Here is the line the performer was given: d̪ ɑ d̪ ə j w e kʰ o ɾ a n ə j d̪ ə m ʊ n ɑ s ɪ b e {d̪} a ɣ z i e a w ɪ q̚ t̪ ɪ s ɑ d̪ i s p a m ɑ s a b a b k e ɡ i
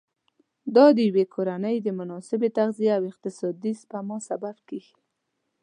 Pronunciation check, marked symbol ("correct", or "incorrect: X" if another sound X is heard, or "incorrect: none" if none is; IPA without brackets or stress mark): incorrect: t̪